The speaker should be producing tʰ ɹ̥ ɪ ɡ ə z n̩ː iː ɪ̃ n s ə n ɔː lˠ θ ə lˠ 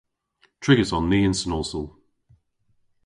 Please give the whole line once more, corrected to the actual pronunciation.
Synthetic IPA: tʰ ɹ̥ ɪ ɡ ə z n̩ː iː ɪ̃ n s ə n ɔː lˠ s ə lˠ

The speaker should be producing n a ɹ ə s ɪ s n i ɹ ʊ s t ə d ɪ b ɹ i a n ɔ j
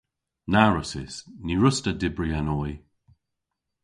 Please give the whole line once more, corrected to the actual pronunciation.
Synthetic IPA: n a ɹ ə s ɪ s n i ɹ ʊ s t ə d ɪ b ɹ i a n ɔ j

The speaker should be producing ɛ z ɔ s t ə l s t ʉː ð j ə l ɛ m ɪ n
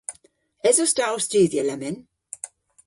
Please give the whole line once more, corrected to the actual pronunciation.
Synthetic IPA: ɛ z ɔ s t a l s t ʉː ð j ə l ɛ m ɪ n

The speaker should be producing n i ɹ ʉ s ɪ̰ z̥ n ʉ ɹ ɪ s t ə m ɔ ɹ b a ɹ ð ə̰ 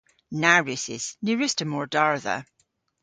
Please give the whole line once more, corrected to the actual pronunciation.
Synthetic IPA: n a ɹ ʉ s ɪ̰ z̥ n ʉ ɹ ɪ s t ə m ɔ ɹ d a ɹ ð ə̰

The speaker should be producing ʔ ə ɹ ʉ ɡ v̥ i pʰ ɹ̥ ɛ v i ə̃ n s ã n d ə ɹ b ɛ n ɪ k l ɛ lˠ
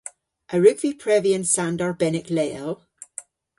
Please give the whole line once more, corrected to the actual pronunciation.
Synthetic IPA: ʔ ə ɹ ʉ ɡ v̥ i pʰ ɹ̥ ɛ v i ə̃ n s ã n d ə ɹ b ɛ n ɪ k l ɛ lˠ

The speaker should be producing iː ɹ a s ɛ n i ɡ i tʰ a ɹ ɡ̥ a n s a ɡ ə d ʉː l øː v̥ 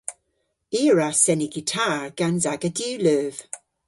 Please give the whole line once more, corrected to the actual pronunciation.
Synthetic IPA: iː ɹ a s ɛ n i ɡ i tʰ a ɹ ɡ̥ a n z a ɡ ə d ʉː l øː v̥

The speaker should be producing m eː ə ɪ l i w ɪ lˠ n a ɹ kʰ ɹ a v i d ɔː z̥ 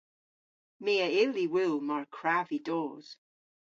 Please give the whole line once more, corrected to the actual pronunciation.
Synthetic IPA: m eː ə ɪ l i w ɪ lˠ m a ɹ kʰ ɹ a v i d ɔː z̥

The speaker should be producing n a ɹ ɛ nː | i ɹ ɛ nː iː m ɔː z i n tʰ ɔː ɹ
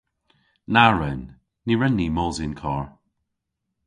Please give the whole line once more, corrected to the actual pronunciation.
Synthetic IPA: n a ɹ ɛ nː | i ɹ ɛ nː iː m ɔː z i n kʰ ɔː ɹ

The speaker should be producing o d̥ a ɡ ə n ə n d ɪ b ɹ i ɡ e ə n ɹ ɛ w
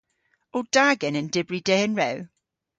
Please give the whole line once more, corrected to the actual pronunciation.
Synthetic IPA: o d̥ a ɡ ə n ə n d ɪ b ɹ i d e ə n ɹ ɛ w

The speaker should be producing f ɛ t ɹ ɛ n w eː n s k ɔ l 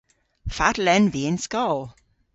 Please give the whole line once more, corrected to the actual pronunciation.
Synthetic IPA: f a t l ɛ n v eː n s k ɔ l

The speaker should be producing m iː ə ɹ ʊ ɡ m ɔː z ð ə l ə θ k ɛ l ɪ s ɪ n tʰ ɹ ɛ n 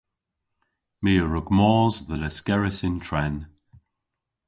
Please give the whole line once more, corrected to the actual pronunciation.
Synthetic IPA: m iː ə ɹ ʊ ɡ m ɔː z ð ə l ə s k ɛ ɹ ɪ s ɪ n tʰ ɹ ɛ n

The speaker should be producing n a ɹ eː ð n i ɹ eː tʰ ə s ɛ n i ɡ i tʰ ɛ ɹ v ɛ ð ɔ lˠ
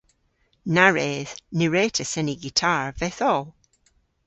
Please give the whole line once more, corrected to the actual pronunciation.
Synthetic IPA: n a ɹ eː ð n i ɹ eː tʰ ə s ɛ n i ɡ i tʰ a ɹ v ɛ θ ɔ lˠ

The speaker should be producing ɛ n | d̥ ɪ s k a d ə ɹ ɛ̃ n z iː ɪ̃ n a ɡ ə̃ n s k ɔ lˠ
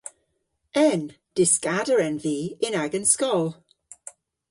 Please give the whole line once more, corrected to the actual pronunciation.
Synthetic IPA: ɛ n | d̥ ɪ s k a d ə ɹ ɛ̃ n v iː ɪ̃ n a ɡ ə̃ n s k ɔ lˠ

